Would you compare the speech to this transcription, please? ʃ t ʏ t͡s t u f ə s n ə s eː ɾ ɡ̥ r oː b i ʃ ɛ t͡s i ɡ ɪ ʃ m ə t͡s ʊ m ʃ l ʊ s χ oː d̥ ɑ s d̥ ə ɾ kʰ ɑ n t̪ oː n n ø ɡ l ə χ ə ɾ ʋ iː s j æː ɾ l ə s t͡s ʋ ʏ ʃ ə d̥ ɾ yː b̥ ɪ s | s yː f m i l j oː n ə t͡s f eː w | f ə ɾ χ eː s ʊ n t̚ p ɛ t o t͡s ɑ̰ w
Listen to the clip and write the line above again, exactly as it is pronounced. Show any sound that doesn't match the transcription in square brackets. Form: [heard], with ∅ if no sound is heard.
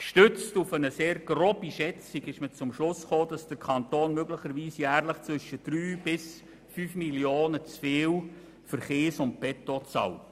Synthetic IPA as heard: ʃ t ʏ t͡s t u f ə [∅] n ə s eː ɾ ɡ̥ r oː b i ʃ ɛ t͡s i ɡ ɪ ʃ m ə t͡s ʊ m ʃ l ʊ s χ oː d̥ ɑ s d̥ ə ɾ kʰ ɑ n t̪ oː n [m] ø ɡ l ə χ ə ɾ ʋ iː s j æː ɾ l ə [χ] t͡s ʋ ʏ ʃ ə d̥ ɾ yː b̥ ɪ s | [f] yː f m i l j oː n ə t͡s f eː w | f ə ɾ χ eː s ʊ n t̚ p ɛ t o t͡s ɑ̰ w